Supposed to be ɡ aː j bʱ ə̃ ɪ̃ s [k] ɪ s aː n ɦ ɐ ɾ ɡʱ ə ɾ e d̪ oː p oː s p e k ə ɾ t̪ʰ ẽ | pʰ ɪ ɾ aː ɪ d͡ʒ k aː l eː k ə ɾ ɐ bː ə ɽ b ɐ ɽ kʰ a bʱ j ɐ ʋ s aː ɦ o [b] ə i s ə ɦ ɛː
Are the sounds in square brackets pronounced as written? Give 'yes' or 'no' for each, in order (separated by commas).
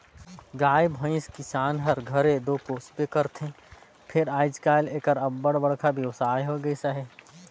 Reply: yes, no